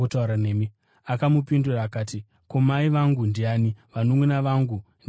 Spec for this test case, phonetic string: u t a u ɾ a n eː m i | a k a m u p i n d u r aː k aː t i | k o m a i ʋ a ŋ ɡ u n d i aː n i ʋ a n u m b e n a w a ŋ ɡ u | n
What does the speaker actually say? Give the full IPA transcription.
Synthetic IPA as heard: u t a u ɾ a n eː m i | a k a m u p i n d u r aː k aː t i | k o m a i ʋ a ŋ ɡ u n d i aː n i ʋ a n o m w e n a ʋ a ŋ ɡ u | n